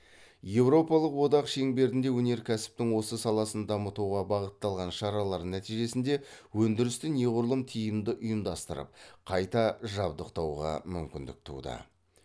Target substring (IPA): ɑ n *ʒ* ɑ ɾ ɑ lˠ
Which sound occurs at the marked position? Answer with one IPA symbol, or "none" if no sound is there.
ʃ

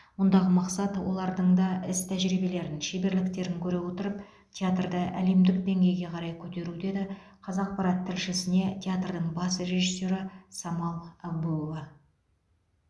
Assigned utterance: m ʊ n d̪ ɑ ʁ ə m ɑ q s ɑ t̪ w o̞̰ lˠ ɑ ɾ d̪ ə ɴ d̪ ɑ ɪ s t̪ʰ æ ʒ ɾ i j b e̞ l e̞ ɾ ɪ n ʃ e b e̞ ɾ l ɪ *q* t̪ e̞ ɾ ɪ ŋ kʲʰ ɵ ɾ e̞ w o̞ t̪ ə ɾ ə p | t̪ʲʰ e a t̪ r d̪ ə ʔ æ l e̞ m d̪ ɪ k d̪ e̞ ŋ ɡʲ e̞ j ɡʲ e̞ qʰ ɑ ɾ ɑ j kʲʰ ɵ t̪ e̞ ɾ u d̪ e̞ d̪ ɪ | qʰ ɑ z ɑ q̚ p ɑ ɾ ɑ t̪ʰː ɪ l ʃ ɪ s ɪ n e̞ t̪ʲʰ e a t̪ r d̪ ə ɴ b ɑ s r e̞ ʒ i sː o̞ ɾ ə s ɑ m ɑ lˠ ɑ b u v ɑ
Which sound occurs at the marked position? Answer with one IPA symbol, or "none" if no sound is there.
k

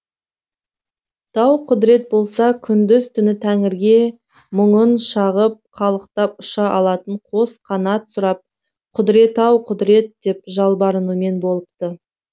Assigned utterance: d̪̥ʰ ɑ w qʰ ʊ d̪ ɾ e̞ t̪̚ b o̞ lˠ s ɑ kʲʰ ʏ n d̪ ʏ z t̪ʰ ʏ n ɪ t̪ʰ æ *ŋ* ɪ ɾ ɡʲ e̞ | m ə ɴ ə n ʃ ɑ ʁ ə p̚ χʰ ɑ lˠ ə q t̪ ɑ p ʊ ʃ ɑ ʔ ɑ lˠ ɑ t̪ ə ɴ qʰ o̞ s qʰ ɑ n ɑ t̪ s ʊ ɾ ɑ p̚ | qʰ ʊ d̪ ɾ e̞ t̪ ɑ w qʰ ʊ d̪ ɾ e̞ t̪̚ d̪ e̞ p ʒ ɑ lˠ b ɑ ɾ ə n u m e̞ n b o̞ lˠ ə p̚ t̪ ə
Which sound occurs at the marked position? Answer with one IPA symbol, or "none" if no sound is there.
ŋ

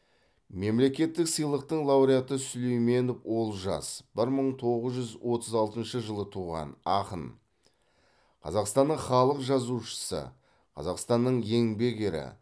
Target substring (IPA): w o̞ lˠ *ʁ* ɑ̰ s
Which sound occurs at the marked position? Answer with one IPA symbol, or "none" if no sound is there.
ʒ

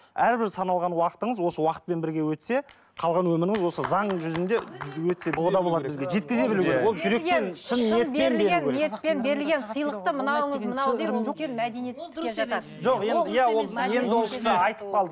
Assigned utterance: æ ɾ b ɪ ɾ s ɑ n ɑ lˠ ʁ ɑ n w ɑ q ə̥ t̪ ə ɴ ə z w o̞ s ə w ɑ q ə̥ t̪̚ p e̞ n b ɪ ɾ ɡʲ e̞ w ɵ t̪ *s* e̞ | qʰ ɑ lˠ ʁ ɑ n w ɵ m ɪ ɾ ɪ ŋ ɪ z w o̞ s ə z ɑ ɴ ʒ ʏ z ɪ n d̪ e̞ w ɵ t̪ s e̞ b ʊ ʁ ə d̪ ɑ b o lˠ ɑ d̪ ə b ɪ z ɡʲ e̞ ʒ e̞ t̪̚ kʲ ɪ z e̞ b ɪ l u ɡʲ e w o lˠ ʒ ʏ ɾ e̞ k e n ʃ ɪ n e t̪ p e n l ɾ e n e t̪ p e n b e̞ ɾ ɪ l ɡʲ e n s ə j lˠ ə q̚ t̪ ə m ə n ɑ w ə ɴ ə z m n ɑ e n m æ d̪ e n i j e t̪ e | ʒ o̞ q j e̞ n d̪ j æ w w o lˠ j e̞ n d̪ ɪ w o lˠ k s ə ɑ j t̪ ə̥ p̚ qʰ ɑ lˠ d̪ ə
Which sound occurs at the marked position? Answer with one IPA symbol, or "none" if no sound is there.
s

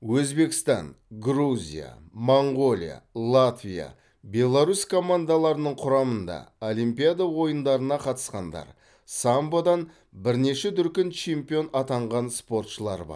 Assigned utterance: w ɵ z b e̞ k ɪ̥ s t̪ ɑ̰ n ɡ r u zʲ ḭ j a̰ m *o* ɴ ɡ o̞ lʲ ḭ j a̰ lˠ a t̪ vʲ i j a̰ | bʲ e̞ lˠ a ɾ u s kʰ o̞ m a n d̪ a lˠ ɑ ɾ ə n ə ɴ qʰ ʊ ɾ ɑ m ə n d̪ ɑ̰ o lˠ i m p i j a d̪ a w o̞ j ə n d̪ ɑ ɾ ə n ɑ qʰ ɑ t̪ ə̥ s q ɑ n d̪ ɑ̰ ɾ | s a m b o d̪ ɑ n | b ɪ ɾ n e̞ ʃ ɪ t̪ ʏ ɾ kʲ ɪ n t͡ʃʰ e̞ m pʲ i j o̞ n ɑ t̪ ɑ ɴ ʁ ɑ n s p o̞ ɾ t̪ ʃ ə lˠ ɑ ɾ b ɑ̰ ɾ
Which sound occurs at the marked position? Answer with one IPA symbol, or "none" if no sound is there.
o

